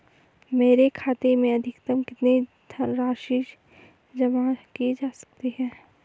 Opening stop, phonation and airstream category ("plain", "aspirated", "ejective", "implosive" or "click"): aspirated